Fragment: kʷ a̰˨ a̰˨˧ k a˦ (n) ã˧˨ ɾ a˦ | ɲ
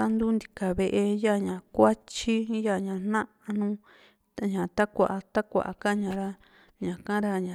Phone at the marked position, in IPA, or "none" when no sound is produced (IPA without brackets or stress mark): ɲ